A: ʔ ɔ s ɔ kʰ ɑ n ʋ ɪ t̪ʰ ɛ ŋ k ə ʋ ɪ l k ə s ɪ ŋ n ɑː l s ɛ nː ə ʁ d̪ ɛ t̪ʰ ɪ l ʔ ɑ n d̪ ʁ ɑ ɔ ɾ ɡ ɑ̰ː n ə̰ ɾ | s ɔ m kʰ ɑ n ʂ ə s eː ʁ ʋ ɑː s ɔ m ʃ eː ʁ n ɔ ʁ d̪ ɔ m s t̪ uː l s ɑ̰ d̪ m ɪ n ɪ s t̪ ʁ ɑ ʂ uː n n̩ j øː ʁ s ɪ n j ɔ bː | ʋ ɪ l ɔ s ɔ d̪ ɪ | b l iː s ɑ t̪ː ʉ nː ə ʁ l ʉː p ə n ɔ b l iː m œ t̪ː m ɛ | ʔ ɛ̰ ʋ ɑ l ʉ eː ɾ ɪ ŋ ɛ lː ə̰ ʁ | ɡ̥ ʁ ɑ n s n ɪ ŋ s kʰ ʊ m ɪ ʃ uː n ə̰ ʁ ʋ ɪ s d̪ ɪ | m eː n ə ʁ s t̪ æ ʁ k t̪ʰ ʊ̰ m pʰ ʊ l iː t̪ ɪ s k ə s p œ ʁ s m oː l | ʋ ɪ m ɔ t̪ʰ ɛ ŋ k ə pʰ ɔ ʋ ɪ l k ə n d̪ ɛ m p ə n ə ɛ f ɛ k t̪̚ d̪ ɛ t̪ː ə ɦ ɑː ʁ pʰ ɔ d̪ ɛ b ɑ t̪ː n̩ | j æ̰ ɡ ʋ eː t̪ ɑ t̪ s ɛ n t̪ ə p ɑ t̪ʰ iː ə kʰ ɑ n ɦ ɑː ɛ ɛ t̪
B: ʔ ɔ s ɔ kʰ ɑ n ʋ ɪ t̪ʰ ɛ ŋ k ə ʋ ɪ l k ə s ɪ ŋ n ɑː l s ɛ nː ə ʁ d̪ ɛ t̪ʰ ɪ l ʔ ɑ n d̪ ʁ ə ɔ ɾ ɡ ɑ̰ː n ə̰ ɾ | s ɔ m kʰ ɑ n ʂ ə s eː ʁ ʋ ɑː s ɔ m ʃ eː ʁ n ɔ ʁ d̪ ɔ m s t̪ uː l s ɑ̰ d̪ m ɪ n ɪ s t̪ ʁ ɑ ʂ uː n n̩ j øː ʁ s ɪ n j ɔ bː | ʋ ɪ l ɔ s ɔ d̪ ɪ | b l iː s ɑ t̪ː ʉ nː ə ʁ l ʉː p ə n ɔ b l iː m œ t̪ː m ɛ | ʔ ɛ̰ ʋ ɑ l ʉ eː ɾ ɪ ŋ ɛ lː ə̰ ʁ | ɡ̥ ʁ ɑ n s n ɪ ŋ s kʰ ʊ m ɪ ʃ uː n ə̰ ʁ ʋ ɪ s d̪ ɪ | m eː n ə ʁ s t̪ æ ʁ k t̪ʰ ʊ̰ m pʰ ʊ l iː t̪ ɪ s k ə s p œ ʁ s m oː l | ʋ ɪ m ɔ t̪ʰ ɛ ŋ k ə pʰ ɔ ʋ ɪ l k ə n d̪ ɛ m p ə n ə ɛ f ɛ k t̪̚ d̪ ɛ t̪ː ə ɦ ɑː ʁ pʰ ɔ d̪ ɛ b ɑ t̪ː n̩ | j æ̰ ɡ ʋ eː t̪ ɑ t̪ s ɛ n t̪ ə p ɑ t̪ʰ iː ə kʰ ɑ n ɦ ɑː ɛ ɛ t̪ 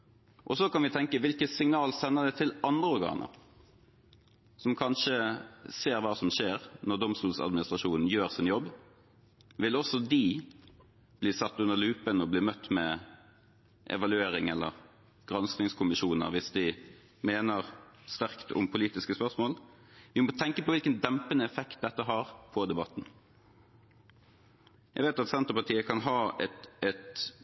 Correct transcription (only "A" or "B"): B